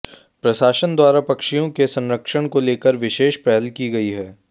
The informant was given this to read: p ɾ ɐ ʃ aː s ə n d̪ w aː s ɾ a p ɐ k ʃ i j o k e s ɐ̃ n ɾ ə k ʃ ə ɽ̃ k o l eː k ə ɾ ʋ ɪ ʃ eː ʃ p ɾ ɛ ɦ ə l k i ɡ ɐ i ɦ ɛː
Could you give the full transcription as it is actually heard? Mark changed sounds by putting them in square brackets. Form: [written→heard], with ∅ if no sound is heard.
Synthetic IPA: p ɾ ɐ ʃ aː [s→ʃ] ə n d̪ w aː [s→∅] ɾ a p ɐ k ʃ i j [o→õ] k e s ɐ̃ n ɾ ə k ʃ ə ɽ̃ k o l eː k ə ɾ ʋ ɪ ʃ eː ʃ p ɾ ɛ ɦ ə l k i ɡ ɐ i ɦ ɛː